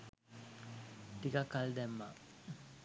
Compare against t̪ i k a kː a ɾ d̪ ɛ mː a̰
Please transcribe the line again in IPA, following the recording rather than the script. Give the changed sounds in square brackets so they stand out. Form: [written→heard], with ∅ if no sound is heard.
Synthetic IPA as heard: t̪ i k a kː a [ɾ→l] d̪ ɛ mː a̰